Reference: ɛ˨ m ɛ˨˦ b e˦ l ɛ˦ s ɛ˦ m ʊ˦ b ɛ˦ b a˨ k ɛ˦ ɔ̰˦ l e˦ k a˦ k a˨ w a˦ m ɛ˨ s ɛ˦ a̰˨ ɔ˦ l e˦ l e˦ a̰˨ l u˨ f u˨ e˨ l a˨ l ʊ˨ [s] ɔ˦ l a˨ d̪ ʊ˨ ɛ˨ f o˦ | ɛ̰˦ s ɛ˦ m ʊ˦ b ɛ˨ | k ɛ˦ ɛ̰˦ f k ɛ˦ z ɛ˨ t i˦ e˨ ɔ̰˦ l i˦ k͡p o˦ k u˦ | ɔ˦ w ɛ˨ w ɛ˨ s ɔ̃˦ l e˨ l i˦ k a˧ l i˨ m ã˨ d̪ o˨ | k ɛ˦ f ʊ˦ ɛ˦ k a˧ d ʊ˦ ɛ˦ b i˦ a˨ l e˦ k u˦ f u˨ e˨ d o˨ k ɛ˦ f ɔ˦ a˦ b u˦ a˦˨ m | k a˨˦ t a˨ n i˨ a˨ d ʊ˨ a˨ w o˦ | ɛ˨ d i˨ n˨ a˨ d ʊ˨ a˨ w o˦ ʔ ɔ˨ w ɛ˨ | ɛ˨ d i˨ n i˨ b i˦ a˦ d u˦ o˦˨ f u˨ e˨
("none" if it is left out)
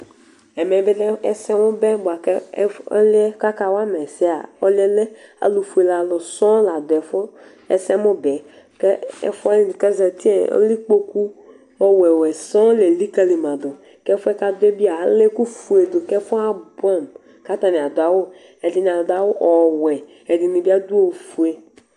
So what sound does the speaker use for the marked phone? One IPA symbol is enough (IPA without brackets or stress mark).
s